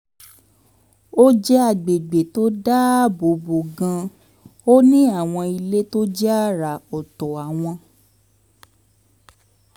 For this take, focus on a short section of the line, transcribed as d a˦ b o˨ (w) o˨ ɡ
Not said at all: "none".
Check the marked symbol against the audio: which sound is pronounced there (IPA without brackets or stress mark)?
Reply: b